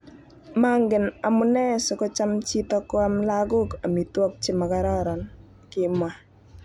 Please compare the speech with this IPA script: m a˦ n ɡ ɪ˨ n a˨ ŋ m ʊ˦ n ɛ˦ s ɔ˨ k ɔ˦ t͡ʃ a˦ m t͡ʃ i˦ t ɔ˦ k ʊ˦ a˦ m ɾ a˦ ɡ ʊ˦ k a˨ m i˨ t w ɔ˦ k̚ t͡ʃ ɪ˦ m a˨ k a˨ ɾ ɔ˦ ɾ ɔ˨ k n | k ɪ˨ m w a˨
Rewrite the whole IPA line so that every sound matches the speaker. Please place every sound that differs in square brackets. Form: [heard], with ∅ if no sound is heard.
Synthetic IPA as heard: m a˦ [ŋ] ɡ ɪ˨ n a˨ [∅] m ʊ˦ n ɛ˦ s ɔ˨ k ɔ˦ t͡ʃ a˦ m t͡ʃ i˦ t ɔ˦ k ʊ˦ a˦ m [l] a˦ ɡ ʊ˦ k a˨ m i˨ t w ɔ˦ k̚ t͡ʃ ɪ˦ m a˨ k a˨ ɾ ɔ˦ ɾ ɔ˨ [∅] n | k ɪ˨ m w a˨

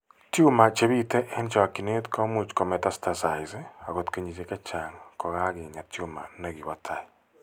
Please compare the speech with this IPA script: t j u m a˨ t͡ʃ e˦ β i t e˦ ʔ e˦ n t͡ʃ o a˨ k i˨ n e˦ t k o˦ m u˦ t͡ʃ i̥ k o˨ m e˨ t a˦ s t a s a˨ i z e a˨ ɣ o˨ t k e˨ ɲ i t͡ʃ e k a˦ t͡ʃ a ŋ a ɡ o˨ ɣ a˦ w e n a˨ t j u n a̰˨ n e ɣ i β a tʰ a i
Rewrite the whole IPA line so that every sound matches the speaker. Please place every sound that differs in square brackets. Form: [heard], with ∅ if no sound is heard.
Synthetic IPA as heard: t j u m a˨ t͡ʃ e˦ β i t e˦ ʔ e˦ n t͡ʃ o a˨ k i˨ n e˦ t k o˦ m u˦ t͡ʃ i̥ k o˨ m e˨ t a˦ s t a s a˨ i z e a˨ ɣ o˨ t k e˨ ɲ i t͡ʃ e k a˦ t͡ʃ a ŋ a [k] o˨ ɣ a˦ [ɣ] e [ɲ] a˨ t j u [m] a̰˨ n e ɣ i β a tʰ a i

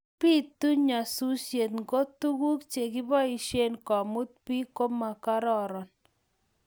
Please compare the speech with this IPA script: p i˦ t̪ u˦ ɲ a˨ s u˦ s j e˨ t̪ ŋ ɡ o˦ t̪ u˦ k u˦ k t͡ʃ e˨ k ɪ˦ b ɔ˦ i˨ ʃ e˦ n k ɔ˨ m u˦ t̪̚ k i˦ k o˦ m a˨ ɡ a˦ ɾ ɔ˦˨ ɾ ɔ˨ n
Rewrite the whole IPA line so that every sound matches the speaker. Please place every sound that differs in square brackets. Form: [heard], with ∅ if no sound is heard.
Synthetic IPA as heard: p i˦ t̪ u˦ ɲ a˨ s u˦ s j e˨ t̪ ŋ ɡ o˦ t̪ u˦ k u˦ k t͡ʃ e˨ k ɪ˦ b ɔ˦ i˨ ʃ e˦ n k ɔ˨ m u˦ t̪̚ [p] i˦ k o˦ m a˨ [k] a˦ ɾ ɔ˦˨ ɾ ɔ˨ n

